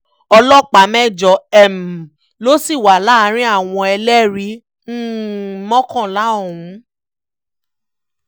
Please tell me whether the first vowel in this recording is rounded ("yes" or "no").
yes